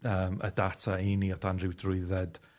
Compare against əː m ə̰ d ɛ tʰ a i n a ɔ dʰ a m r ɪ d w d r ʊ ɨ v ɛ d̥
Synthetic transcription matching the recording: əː m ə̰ d a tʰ a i n i ɔ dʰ a n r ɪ w d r ʊ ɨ ð ɛ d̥